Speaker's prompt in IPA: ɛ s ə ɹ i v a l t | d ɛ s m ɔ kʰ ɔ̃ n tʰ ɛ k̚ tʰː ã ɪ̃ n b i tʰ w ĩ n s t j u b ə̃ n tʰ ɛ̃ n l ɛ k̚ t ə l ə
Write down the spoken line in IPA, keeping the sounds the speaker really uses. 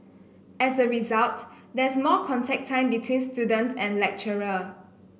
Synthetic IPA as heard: ɛ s ə ɹ i z a l t | d ɛ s m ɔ kʰ ɔ̃ n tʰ ɛ k̚ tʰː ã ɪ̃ m b i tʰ w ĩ n s t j u d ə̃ n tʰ ɛ̃ n l ɛ k̚ t͡ʃ ə ɹ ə